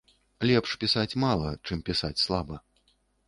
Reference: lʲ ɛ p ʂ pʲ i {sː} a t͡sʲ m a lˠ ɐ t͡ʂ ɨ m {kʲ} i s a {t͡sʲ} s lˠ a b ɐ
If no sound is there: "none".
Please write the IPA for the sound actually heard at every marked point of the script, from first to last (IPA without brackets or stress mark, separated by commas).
s, pʲ, t͡sʲ